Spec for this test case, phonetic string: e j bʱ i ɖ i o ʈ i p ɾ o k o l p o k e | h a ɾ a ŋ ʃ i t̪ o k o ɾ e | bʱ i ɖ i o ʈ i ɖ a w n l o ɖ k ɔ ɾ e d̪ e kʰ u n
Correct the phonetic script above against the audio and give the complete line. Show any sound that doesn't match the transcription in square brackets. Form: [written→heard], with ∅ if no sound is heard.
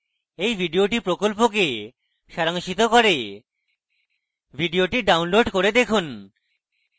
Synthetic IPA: e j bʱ i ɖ i o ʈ i p ɾ o k o l p o k e | [h→ʃ] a ɾ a ŋ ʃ i t̪ o k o ɾ e | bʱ i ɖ i o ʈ i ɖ a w n l o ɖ k [ɔ→o] ɾ e d̪ e kʰ u n